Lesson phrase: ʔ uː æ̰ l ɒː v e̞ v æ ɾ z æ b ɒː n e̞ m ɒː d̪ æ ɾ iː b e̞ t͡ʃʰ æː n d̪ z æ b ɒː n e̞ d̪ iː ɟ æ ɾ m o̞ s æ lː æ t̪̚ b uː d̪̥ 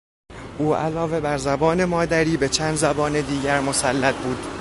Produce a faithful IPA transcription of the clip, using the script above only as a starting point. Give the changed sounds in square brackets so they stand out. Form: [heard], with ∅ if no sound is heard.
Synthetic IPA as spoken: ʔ uː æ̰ l ɒː v e̞ [b] æ ɾ z æ b ɒː n e̞ m ɒː d̪ æ ɾ iː b e̞ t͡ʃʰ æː n d̪ z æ b ɒː n e̞ d̪ iː ɟ æ ɾ m o̞ s æ lː æ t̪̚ b uː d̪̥